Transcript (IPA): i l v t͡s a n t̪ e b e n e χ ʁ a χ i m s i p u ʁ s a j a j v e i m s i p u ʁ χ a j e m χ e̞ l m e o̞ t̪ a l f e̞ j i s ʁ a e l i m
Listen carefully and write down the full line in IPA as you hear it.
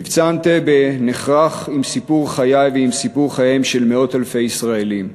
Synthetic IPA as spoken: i v t͡s a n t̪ e b e n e χ ʁ a χ i m s i p u ʁ χ a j a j v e i m s i p u ʁ χ a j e m ʃ e̞ l m e o̞ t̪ a l f e̞ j i s ʁ a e l i m